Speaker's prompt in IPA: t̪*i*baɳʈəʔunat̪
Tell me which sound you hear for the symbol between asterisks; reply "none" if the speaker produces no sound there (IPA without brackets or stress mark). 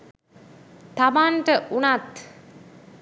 a